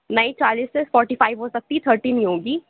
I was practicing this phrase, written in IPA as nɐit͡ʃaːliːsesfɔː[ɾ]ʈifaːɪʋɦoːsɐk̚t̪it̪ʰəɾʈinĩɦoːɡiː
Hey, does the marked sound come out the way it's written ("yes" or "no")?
yes